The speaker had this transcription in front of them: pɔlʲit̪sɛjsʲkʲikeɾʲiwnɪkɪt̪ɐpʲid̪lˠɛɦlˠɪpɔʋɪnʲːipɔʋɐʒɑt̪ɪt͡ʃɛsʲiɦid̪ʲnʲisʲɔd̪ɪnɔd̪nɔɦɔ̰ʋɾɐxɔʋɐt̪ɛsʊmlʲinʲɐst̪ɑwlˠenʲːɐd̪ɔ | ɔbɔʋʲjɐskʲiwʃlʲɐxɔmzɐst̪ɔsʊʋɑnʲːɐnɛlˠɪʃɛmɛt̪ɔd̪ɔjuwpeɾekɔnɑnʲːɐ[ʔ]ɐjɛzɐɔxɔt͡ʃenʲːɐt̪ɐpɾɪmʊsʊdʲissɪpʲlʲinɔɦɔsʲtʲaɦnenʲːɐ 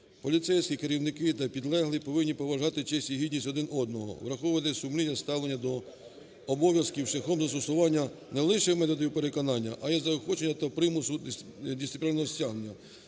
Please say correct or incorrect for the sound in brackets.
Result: correct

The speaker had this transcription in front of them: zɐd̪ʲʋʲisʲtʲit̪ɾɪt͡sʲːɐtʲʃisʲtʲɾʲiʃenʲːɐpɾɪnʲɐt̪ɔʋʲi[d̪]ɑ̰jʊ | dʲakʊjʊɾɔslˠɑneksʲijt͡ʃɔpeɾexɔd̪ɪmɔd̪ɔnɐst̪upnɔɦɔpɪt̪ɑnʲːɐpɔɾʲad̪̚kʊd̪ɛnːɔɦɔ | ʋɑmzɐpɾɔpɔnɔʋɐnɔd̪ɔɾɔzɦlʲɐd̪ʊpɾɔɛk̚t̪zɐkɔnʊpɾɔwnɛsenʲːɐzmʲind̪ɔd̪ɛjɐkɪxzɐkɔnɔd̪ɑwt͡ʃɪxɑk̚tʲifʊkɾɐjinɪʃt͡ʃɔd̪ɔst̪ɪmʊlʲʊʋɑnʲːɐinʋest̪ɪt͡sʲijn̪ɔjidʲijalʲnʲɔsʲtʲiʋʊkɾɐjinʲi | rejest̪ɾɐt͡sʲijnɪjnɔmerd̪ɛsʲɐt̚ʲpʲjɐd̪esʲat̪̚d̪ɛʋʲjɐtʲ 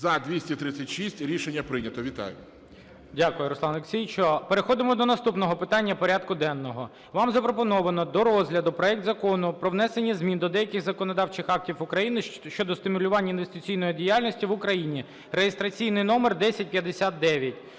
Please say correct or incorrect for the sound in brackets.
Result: incorrect: t̪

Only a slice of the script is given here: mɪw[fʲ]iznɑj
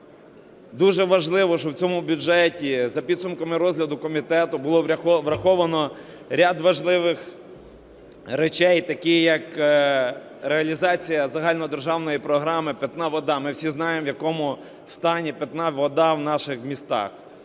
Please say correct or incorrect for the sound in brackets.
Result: incorrect: sʲ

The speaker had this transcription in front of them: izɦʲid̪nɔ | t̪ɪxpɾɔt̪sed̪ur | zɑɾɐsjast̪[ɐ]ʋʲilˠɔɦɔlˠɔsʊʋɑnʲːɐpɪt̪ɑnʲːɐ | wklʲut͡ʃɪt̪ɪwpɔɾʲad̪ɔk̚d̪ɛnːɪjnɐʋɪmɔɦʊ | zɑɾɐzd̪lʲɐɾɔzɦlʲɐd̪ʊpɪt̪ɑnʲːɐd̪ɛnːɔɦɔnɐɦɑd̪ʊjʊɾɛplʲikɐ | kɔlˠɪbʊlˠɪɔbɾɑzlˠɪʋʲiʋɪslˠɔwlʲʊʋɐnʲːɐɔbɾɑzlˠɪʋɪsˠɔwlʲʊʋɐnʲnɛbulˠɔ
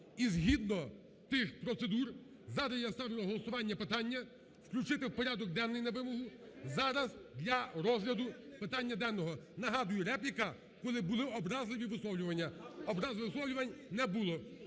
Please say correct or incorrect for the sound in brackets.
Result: incorrect: ɑ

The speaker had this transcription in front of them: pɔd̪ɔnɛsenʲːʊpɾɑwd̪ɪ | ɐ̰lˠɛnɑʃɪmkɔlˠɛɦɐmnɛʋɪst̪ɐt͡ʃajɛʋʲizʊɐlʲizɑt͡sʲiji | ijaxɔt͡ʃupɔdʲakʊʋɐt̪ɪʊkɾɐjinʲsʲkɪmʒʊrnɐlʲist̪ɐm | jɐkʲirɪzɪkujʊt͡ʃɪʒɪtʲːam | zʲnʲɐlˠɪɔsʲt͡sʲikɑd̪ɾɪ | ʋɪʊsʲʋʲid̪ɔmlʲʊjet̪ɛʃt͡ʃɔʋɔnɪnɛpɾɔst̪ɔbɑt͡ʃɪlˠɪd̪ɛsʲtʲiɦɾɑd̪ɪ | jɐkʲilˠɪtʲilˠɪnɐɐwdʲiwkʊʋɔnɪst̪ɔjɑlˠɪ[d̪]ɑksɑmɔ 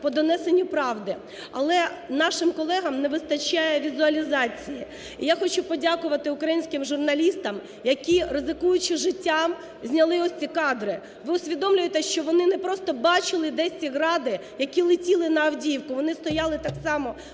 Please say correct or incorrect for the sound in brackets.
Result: incorrect: t̪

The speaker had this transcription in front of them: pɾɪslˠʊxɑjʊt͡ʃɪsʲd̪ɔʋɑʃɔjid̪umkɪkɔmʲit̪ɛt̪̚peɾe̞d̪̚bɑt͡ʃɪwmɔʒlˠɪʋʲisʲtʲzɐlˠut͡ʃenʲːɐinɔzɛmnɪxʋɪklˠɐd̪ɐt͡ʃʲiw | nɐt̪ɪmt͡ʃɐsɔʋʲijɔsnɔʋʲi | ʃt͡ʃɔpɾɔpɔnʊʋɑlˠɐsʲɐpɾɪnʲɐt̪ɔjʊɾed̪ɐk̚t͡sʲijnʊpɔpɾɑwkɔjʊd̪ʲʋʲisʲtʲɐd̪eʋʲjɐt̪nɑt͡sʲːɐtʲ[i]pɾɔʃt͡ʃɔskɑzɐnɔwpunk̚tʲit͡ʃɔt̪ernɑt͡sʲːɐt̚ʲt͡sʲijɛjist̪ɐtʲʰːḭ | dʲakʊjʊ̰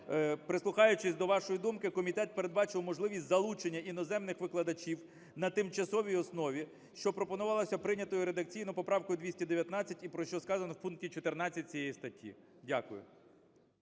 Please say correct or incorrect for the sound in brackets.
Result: correct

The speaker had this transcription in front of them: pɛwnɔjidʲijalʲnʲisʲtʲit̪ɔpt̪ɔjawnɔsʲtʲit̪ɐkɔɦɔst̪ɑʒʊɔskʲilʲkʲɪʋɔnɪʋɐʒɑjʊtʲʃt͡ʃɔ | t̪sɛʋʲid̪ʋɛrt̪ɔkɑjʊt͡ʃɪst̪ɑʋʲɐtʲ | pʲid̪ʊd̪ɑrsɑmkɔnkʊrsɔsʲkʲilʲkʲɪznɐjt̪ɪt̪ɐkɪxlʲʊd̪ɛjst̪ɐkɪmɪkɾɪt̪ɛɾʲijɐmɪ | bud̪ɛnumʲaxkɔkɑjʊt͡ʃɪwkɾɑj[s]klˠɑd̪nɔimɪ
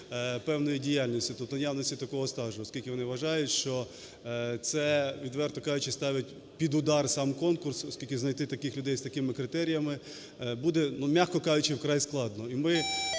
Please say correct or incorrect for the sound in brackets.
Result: correct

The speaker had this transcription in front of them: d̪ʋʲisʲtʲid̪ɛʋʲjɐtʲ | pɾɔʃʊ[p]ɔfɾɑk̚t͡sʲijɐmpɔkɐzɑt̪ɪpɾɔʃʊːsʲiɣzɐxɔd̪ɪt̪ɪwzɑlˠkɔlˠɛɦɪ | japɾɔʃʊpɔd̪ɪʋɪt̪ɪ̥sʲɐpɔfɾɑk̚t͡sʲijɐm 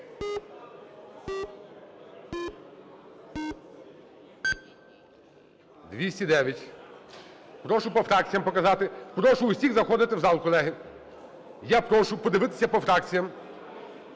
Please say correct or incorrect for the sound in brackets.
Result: correct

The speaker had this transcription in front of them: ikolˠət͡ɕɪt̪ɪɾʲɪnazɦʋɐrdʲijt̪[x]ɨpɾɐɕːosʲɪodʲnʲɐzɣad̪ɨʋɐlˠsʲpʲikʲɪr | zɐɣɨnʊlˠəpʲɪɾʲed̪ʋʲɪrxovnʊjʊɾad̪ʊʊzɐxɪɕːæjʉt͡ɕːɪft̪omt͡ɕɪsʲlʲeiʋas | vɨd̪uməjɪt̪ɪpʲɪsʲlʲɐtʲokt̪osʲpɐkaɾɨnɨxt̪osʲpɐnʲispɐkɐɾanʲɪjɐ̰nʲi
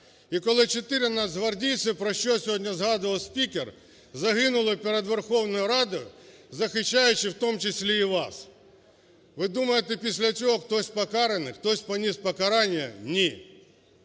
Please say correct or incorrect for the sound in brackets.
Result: incorrect: s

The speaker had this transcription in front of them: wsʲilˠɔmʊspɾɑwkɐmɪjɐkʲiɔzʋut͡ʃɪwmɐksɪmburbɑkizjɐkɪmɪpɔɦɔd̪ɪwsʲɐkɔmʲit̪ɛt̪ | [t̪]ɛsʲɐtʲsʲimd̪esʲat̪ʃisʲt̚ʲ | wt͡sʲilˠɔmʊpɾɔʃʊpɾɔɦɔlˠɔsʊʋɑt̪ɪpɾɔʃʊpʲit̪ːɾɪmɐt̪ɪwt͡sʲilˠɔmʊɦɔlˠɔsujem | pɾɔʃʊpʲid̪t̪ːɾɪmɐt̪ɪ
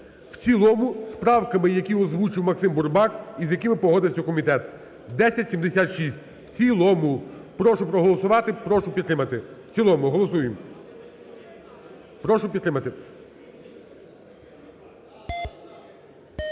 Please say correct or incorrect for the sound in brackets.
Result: incorrect: d̪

